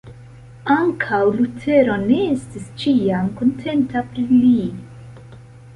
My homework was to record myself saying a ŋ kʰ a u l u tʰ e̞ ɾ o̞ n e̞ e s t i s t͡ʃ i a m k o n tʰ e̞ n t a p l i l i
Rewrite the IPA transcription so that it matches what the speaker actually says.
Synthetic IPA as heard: a ŋ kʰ a w l u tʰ e̞ ɾ o̞ n e̞ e s t i s t͡ʃ i a m k o n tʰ e̞ n t a p ɾ i l i